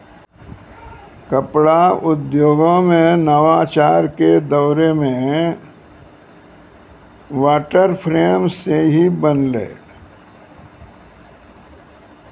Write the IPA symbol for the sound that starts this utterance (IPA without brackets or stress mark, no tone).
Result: k